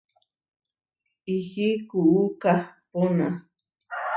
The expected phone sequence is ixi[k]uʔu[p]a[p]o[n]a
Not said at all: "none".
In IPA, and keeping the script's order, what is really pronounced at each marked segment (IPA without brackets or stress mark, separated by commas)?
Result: k, k, p, n